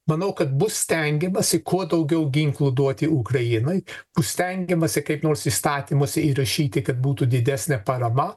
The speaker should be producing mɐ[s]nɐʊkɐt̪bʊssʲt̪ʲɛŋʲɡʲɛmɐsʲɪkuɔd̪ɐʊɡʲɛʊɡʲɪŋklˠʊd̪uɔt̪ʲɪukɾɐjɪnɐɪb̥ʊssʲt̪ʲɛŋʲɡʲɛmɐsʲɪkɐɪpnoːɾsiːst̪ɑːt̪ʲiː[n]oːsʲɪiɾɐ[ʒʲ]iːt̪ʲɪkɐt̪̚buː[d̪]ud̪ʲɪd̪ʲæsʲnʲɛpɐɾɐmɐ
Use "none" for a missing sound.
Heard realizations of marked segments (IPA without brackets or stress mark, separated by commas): none, m, ʃʲ, t̪